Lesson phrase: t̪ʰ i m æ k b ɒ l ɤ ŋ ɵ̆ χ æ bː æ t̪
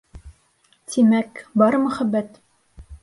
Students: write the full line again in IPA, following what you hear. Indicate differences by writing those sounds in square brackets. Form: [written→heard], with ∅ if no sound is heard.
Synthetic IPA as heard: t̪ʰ i m æ k b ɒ [l→ɾ] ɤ [ŋ→m] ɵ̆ χ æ bː æ t̪

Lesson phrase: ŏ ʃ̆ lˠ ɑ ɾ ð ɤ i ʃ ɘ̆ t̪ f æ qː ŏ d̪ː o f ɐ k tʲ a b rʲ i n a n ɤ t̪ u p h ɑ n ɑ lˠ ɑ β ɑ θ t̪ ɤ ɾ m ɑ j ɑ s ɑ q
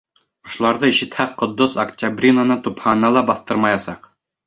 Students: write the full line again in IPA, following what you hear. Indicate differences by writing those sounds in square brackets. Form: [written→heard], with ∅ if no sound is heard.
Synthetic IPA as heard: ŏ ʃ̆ lˠ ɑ ɾ ð ɤ i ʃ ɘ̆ t̪ [f→h] æ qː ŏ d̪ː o [f→s] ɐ k tʲ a b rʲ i n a n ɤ t̪ u p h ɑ n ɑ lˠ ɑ [β→b] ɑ θ t̪ ɤ ɾ m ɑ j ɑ s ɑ q

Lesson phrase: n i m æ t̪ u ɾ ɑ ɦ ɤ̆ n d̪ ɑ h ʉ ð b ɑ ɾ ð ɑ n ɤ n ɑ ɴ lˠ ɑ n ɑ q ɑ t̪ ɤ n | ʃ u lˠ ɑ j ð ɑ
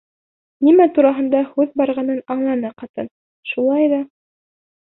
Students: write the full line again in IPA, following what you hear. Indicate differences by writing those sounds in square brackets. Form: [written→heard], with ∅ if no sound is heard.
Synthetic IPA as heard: n i m æ t̪ u ɾ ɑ ɦ ɤ̆ n d̪ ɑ h ʉ ð b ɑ ɾ [ð→ʁ] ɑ n ɤ n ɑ ɴ lˠ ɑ n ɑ q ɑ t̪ ɤ n | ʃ u lˠ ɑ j ð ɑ

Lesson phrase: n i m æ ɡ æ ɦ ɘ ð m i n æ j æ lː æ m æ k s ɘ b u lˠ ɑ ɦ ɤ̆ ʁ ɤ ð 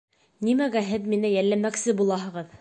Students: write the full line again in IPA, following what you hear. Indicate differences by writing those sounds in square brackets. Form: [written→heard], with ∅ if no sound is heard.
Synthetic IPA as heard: n i m æ ɡ æ ɦ ɘ ð m i n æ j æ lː æ m æ k s ɘ b u lˠ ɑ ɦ ɤ̆ ʁ ɤ ð

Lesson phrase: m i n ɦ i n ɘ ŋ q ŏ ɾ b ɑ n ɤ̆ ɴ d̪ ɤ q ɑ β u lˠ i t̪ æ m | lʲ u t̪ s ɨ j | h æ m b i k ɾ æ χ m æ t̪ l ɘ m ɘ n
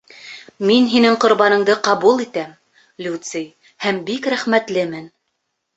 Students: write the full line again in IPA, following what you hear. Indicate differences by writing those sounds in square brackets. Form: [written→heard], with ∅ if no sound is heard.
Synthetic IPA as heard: m i n ɦ i n ɘ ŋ q ŏ ɾ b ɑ n ɤ̆ ɴ d̪ ɤ q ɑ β u lˠ i t̪ æ m | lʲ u t̪ s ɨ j | h æ m b i k ɾ æ χ m æ t̪ l ɘ m ɘ n

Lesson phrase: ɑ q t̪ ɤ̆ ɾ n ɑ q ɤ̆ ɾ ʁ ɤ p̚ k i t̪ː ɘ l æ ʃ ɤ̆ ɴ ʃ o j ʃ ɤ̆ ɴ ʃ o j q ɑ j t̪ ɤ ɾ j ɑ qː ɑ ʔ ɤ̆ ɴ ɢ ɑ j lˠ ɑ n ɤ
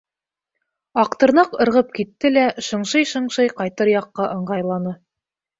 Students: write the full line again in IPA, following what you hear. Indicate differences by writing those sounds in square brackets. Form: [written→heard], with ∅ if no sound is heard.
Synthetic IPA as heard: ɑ q t̪ ɤ̆ ɾ n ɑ q ɤ̆ ɾ ʁ ɤ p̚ k i t̪ː ɘ l æ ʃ ɤ̆ ɴ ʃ [o→ɤ] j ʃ ɤ̆ ɴ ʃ [o→ɤ] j q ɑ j t̪ ɤ ɾ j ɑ qː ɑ ʔ ɤ̆ ɴ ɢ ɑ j lˠ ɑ n ɤ

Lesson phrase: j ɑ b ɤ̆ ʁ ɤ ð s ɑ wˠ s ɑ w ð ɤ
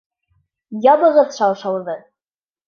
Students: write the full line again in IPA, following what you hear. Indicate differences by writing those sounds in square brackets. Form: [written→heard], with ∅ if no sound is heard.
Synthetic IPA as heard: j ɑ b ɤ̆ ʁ ɤ ð [s→ʃ] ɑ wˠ [s→ʃ] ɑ w ð ɤ

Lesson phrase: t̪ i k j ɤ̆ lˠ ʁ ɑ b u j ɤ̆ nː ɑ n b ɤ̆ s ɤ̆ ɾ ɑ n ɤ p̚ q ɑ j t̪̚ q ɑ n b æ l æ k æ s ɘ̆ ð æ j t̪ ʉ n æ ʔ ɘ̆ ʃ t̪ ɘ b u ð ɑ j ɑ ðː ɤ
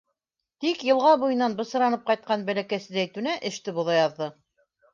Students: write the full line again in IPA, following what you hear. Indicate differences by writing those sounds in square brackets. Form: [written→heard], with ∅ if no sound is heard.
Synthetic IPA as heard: t̪ i k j ɤ̆ lˠ ʁ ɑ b u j ɤ̆ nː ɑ n b ɤ̆ s ɤ̆ ɾ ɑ n ɤ p̚ q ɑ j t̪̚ q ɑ n b æ l æ k æ s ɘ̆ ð æ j t̪ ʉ n æ ʔ ɘ̆ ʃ t̪ ɘ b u ð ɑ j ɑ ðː ɤ

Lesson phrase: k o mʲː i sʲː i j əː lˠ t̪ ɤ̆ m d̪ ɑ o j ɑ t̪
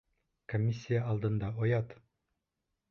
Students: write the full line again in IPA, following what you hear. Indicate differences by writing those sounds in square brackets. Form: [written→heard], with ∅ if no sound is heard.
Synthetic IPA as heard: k o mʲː i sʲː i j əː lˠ [t̪→d̪] ɤ̆ [m→n] d̪ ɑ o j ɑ t̪

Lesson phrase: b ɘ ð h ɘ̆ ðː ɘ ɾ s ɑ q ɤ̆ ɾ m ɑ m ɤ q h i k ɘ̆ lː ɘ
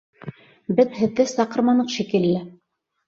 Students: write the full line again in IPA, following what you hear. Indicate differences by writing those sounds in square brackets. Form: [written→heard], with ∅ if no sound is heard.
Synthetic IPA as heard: b ɘ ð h ɘ̆ ðː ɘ [ɾ→∅] s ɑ q ɤ̆ ɾ m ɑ [m→n] ɤ q [h→ʃ] i k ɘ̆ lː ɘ

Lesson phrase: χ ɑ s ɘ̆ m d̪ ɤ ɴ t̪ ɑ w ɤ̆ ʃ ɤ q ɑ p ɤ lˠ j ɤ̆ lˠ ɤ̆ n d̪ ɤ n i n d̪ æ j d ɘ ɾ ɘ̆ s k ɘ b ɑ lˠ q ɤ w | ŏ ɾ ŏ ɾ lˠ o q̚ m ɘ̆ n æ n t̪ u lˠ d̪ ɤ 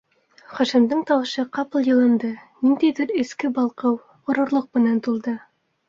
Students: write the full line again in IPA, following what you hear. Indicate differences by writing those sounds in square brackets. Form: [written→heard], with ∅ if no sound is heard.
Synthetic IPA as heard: χ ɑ [s→ʃ] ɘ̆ m d̪ ɤ ɴ t̪ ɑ w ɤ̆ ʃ ɤ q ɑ p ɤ lˠ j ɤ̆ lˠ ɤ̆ n d̪ ɤ n i n d̪ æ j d ɘ ɾ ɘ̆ s k ɘ b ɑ lˠ q ɤ w | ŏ ɾ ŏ ɾ lˠ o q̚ m ɘ̆ n æ n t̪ u lˠ d̪ ɤ

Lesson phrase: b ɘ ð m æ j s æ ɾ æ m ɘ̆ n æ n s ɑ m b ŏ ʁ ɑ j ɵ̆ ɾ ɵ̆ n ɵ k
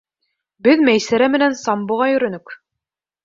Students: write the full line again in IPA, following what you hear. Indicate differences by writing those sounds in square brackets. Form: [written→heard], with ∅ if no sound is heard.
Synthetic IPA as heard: b ɘ ð m æ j s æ ɾ æ m ɘ̆ n æ n s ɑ m b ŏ ʁ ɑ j ɵ̆ ɾ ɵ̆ n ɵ k

